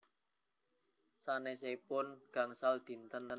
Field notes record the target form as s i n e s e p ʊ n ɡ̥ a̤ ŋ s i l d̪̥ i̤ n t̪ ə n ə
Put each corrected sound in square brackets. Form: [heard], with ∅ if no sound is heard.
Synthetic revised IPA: s [a] n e s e p ʊ n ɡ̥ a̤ ŋ s [a] l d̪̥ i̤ n t̪ ə n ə